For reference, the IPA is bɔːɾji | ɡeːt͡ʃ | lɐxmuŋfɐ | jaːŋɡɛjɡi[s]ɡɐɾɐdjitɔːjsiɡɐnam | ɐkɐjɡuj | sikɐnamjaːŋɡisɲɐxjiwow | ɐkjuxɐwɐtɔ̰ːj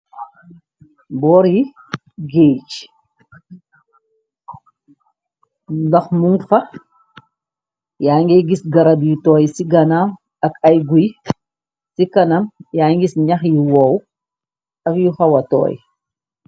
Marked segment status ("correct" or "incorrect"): correct